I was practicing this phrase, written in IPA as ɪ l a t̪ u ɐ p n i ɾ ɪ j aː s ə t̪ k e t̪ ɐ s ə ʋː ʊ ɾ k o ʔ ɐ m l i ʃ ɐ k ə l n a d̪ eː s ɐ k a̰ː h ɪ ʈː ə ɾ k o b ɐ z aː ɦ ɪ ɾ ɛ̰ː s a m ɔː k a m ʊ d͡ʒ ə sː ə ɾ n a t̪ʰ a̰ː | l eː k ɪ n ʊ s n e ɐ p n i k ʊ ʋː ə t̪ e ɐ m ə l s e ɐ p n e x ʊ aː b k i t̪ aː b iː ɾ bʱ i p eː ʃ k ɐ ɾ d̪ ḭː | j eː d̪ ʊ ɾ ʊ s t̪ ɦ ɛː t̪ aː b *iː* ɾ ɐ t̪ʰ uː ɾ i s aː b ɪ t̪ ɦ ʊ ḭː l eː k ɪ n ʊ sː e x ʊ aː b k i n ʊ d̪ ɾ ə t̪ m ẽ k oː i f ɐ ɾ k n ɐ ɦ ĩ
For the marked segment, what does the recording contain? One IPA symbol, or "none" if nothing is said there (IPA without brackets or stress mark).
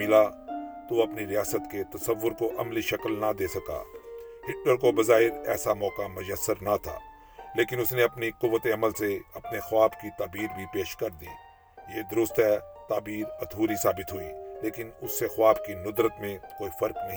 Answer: iː